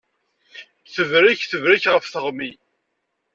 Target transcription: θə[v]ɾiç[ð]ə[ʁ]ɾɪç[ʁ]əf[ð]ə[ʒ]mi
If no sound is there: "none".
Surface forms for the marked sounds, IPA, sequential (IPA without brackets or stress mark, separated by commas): v, θ, v, ʁ, θ, ʁ